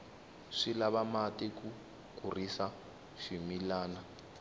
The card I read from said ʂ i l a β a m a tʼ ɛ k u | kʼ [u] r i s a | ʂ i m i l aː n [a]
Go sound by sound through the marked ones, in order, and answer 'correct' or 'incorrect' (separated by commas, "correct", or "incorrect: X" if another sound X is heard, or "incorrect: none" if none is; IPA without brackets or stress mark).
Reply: correct, correct